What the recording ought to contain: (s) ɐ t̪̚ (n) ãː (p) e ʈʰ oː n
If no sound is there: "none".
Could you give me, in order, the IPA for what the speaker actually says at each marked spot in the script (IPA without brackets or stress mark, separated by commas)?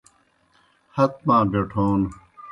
h, m, b